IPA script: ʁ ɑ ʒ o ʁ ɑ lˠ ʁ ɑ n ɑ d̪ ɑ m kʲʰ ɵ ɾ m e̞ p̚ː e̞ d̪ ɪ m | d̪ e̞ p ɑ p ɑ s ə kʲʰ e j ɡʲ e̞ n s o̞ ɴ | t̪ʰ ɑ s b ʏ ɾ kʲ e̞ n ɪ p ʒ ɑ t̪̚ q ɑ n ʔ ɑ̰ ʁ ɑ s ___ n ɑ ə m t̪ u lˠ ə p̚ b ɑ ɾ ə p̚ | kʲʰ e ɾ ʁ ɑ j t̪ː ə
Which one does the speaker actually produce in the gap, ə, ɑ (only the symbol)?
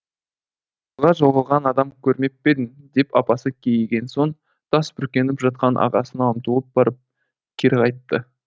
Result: ə